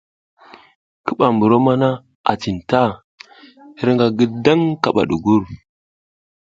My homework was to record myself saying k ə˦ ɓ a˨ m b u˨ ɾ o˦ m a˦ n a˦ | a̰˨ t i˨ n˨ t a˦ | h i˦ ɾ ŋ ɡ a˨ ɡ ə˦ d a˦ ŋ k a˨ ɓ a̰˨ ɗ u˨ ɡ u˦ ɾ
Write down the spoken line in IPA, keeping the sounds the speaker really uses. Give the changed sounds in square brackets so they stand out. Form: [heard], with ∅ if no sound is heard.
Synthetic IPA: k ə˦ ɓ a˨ m b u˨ ɾ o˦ m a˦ n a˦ | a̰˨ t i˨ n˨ t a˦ | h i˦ ɾ ŋ ɡ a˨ ɡ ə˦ d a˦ ŋ k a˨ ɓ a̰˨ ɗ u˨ ɡ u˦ ɾ